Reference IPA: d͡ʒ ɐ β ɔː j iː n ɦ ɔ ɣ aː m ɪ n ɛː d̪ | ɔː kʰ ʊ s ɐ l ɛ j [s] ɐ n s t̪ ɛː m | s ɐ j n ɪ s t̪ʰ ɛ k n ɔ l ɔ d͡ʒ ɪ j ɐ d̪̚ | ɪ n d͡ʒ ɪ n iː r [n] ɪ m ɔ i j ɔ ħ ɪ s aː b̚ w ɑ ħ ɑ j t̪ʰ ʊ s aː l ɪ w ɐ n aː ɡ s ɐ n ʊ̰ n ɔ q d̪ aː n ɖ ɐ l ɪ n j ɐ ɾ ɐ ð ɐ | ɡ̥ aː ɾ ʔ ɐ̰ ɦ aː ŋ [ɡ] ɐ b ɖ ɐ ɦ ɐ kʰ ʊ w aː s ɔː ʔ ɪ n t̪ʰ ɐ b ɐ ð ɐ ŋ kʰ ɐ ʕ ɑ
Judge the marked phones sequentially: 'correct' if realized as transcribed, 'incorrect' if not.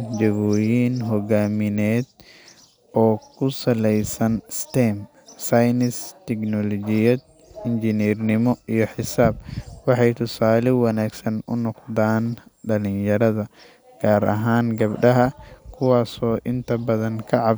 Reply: correct, correct, correct

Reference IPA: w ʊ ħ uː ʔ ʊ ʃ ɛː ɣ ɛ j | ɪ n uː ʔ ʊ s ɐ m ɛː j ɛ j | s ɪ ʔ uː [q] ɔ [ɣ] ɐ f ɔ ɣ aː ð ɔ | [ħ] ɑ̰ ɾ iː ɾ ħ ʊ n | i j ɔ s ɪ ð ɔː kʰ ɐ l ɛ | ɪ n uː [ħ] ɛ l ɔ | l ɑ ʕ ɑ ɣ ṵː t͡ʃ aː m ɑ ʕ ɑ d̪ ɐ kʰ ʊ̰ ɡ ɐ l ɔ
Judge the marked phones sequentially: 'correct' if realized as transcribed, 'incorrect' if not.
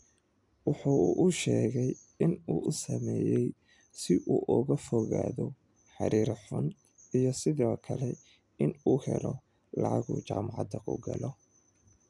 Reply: incorrect, correct, correct, incorrect

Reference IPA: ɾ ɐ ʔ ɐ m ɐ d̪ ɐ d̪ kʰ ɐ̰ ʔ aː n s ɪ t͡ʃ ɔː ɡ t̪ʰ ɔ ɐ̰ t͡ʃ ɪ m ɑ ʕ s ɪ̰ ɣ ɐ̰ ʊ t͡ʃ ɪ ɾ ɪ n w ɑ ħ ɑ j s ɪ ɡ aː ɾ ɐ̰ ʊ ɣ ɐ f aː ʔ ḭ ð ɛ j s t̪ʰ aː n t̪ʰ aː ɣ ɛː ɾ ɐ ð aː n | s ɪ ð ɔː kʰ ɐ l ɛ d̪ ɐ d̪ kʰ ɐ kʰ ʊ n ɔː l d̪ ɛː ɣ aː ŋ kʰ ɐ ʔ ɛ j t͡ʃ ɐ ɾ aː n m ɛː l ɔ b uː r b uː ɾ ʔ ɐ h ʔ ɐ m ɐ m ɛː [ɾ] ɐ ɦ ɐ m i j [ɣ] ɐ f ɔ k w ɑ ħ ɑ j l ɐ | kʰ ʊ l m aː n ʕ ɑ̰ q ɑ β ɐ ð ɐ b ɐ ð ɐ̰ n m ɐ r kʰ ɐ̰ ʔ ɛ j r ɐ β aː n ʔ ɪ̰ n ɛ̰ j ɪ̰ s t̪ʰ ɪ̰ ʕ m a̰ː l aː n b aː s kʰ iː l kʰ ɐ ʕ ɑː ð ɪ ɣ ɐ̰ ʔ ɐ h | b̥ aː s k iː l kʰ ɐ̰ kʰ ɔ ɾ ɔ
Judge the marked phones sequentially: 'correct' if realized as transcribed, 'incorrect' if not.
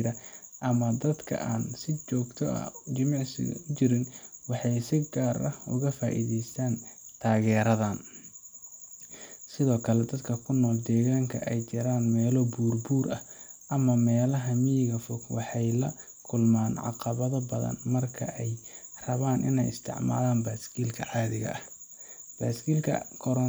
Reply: incorrect, correct

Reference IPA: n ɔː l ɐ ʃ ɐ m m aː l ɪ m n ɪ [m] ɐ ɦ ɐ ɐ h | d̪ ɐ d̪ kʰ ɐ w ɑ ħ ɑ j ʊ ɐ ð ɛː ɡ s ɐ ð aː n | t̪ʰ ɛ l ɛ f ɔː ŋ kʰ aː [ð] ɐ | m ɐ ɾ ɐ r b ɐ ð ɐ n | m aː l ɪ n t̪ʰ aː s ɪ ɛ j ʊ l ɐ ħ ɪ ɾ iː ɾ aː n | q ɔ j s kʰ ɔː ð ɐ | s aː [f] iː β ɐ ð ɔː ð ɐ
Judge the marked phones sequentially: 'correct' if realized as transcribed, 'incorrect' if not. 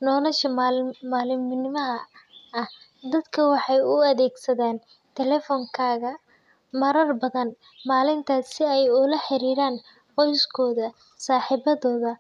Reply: correct, incorrect, incorrect

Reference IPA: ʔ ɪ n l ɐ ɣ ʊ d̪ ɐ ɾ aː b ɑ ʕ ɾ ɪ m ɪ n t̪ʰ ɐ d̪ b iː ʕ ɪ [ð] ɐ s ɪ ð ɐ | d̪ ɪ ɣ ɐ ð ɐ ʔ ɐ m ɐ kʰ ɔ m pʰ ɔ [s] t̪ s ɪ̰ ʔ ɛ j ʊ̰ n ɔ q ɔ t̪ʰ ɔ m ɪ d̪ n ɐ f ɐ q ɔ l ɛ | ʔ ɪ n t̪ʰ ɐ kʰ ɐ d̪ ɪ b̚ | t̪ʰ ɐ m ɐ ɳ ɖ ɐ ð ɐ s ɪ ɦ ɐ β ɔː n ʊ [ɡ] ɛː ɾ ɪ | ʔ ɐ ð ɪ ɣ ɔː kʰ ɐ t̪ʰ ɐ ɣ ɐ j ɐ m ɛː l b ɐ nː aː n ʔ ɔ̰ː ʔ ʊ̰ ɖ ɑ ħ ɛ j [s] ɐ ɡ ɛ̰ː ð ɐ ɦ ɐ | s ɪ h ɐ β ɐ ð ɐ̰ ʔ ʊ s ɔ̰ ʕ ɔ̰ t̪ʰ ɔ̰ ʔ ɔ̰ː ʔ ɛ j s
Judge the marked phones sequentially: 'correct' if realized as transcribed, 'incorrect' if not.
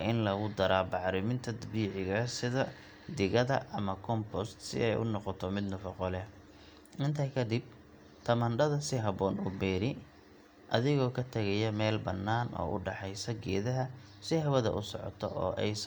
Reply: incorrect, correct, incorrect, correct

